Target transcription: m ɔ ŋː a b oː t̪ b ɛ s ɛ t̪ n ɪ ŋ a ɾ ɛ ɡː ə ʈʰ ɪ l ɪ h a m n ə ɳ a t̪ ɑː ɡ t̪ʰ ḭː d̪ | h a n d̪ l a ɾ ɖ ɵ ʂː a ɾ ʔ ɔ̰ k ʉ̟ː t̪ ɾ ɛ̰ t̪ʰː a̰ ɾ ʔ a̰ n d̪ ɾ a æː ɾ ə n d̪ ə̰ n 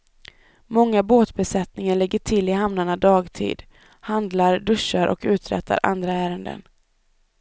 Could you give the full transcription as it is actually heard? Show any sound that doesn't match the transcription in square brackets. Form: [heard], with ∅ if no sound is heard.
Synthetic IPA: m ɔ ŋː a b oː t̪ b ɛ s ɛ t̪ n ɪ ŋ a [ɭ] ɛ ɡː ə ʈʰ ɪ l ɪ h a m n [a] ɳ a [d̪] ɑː ɡ t̪ʰ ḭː d̪ | h a n d̪ l a ɾ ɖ ɵ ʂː a ɾ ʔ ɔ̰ k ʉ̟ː t̪ ɾ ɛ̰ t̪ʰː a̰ ɾ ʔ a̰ n d̪ ɾ a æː ɾ ə n d̪ ə̰ n